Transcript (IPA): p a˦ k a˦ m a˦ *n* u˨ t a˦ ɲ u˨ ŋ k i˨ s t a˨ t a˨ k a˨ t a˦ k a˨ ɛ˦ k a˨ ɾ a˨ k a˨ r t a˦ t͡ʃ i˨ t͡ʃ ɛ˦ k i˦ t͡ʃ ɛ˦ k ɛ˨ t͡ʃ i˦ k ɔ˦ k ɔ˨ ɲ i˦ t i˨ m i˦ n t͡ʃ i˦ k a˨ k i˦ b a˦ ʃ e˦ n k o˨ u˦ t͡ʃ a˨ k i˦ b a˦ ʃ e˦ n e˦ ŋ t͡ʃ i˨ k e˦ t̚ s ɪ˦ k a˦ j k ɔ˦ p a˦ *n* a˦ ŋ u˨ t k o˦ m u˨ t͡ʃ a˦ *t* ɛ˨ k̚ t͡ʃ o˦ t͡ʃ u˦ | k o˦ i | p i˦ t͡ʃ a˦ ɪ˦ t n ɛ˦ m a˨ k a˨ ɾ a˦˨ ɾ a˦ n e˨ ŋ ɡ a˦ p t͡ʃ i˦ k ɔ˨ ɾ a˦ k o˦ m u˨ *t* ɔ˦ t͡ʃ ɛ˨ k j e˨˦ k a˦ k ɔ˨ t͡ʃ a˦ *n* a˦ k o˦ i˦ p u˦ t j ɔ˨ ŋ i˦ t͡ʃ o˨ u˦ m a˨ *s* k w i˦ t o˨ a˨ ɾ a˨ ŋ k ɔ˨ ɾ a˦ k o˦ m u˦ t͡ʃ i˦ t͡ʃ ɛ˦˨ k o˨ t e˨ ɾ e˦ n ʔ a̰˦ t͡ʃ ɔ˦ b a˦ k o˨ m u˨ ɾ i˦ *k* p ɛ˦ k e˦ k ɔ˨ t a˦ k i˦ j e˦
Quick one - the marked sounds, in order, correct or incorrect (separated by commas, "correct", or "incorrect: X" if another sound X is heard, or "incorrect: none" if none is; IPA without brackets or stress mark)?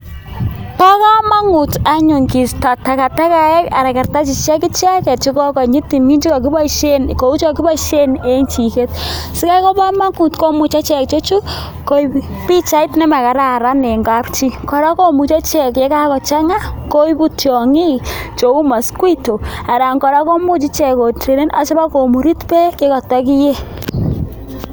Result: incorrect: ŋ, incorrect: m, incorrect: t͡ʃ, incorrect: t͡ʃ, incorrect: ŋ, correct, incorrect: t